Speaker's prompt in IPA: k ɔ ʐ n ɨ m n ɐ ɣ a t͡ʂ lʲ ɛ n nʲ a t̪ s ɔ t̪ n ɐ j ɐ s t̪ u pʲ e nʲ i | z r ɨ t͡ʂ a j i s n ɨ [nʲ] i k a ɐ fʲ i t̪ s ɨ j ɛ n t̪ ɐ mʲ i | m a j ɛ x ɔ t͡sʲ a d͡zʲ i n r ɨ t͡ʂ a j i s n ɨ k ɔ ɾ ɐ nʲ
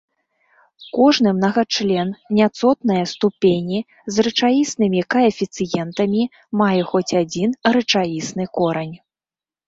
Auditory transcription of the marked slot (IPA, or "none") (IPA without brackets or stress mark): mʲ